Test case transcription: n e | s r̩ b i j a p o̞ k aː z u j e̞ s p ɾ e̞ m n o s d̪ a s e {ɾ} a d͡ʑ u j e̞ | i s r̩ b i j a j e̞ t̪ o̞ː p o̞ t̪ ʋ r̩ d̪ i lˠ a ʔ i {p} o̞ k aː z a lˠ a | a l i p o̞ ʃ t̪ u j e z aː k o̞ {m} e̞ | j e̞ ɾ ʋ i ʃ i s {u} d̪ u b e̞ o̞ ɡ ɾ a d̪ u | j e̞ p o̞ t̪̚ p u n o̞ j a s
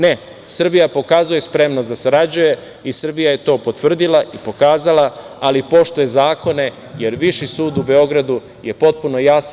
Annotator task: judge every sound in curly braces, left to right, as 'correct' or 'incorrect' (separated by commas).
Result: correct, correct, incorrect, incorrect